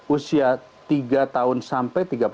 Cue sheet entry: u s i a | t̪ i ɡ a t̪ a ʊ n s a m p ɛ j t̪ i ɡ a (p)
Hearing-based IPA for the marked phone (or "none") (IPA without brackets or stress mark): p